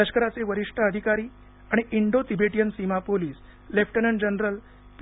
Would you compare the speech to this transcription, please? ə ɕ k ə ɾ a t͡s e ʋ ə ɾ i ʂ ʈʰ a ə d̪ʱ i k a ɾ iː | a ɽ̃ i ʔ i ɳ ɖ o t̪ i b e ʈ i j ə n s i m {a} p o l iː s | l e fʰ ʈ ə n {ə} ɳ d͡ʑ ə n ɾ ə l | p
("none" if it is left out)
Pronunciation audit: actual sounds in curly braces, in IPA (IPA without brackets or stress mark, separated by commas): a, ə